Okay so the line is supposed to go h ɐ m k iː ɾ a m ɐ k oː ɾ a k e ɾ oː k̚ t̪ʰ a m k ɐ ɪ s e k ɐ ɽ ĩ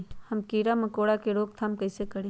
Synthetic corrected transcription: h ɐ m k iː ɾ a m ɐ k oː ɽ a k e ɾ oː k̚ t̪ʰ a m k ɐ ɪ s e k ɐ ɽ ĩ